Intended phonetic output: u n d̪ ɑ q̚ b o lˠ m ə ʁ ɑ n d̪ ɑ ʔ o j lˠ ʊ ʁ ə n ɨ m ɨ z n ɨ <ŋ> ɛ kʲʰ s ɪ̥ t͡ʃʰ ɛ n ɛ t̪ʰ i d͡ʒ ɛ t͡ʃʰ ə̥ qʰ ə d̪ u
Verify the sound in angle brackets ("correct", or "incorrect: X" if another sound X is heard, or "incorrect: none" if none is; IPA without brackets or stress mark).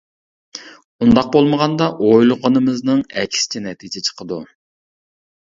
correct